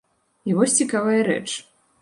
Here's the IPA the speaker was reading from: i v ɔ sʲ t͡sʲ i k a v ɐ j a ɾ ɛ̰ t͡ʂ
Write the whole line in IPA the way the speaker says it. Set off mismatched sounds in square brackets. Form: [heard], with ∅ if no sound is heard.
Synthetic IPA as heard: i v ɔ sʲ t͡sʲ i k a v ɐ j [ɐ] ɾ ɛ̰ t͡ʂ